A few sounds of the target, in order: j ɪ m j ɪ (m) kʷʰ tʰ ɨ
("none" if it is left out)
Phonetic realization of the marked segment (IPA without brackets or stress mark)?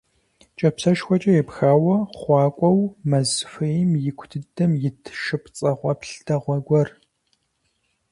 none